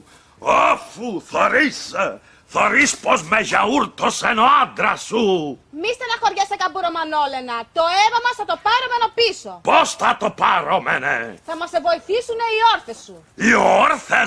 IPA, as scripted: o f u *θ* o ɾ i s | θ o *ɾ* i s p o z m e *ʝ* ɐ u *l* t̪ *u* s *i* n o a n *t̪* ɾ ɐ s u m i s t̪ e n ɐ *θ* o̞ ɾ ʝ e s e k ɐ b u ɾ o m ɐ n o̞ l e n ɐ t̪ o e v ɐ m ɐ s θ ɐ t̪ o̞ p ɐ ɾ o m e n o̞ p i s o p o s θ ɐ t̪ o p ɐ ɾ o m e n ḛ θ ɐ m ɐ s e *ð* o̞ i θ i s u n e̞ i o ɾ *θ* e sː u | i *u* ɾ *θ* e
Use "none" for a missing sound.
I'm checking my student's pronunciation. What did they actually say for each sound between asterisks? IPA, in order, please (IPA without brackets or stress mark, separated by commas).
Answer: θ, ɾ, ʝ, ɾ, o, e, d̪, x, v, θ, o, θ